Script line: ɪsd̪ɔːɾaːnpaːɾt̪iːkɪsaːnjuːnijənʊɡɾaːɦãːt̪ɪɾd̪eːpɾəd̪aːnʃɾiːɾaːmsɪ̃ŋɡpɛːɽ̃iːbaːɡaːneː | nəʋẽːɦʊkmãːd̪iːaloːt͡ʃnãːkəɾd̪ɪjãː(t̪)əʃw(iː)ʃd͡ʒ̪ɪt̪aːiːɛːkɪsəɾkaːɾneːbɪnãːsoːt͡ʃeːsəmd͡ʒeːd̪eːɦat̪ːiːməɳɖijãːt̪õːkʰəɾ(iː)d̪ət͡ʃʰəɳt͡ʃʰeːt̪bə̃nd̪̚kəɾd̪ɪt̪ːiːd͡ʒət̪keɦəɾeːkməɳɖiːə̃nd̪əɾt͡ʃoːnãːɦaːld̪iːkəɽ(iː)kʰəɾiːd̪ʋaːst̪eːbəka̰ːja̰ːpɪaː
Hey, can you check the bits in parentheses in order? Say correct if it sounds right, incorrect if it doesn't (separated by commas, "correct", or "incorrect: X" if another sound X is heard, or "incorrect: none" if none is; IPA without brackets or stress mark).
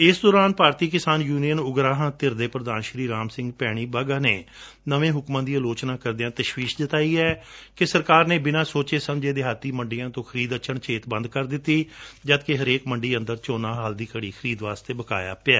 correct, correct, correct, correct